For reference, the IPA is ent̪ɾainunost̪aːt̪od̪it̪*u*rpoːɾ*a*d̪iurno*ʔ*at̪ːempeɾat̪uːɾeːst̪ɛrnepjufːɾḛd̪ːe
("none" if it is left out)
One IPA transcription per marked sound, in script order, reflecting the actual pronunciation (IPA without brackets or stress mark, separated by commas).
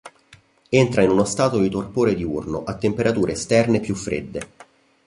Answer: o, e, ʔ